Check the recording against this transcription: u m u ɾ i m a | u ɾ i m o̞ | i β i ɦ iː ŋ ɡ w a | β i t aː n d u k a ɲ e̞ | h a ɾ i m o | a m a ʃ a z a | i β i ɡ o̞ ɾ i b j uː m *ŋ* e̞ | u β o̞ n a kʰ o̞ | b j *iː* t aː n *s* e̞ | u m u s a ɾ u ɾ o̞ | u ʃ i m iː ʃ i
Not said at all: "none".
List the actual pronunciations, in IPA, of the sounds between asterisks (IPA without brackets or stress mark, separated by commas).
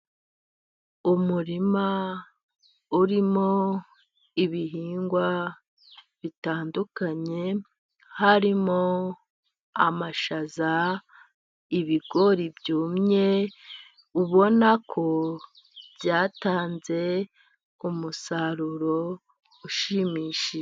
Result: ɲ, aː, z